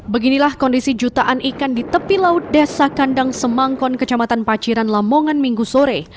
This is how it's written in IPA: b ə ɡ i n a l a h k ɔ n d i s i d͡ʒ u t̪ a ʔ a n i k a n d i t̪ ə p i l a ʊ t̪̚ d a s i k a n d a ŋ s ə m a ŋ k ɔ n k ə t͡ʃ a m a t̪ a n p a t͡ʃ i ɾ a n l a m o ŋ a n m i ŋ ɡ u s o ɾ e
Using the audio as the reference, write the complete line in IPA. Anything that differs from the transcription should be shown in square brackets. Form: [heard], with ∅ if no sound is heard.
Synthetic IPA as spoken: b ə ɡ i n [i] l a h k ɔ n d i s i d͡ʒ u t̪ a ʔ a n i k a n d i t̪ ə p i l a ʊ t̪̚ d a s [a] k a n d a ŋ s ə m a ŋ k ɔ n k ə t͡ʃ a m a t̪ a n p a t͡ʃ i ɾ a n l a m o ŋ a n m i ŋ ɡ u s o ɾ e